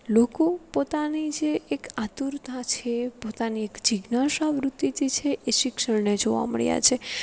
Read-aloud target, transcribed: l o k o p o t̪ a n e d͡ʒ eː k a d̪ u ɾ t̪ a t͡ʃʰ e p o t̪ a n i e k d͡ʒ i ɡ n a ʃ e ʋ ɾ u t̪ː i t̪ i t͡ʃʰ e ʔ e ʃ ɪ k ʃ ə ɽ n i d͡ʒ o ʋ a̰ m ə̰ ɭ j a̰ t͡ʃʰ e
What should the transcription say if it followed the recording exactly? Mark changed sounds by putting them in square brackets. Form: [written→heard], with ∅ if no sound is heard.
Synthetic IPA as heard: l o k o p o t̪ a n [e→i] d͡ʒ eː k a [d̪→t̪] u ɾ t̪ a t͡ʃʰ e p o t̪ a n i e k d͡ʒ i ɡ n a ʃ [e→a] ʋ ɾ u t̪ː i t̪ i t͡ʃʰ e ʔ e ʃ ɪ k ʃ ə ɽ n [i→e] d͡ʒ o ʋ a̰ m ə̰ ɭ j a̰ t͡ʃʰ e